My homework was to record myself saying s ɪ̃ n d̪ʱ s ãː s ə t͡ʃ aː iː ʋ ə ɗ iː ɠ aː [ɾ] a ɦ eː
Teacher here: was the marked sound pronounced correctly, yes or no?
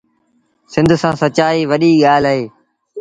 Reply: no